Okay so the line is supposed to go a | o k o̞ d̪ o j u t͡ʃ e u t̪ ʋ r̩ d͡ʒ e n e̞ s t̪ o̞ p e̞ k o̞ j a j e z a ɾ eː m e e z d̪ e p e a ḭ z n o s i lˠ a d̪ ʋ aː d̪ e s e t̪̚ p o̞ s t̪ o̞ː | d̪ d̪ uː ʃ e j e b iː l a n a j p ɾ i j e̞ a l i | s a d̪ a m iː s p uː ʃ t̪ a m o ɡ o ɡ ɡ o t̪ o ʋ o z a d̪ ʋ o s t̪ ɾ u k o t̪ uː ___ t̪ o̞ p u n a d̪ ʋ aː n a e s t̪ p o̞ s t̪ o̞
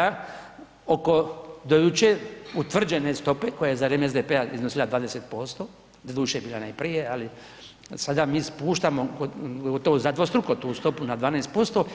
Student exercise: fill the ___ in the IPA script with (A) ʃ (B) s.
B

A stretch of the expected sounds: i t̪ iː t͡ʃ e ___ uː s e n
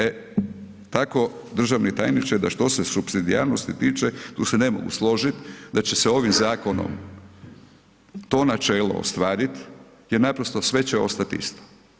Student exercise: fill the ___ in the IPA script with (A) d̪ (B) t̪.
B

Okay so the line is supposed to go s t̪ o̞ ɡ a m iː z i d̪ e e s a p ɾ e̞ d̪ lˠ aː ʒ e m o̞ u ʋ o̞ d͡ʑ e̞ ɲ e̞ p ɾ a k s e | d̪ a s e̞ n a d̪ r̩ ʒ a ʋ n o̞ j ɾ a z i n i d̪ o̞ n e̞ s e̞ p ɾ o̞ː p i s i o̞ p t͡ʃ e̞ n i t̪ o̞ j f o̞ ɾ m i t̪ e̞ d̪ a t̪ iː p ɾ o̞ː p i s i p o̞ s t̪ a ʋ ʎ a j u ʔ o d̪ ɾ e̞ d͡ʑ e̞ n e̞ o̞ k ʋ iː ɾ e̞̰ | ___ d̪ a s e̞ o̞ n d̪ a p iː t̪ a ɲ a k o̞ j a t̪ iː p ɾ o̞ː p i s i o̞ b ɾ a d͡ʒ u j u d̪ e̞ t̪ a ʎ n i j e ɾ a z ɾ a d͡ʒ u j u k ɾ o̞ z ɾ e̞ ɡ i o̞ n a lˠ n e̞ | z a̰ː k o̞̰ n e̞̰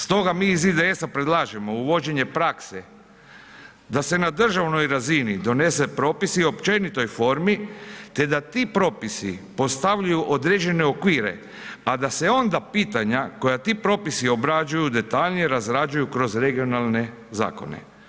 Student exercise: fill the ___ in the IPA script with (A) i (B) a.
B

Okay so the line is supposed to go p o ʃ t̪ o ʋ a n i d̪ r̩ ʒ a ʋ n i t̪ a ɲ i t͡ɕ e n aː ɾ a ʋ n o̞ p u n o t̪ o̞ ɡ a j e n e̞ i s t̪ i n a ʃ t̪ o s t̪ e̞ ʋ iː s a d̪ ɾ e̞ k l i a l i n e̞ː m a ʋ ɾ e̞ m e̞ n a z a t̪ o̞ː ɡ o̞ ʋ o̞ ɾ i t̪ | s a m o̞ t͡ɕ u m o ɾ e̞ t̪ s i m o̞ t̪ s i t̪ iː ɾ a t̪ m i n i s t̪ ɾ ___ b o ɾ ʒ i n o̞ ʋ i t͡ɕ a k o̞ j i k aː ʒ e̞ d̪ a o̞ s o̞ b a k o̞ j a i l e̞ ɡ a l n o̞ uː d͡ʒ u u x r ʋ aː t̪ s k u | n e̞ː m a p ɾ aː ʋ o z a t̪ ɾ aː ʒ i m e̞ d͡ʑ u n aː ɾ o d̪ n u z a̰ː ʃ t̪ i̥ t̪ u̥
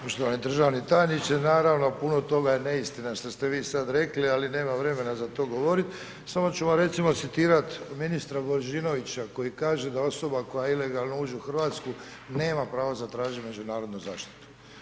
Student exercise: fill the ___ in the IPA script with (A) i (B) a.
B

